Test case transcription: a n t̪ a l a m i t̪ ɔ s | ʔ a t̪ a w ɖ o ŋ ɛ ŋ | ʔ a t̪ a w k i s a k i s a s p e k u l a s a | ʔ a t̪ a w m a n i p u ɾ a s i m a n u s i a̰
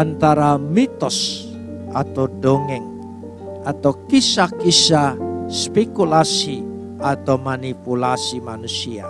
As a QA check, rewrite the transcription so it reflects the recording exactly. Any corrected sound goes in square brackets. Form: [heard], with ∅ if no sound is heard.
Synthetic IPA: a n t̪ a [ɾ] a m i t̪ ɔ s | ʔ a t̪ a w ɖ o ŋ ɛ ŋ | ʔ a t̪ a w k i s a k i s a s p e k u l a s [i] | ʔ a t̪ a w m a n i p u [l] a s i m a n u s i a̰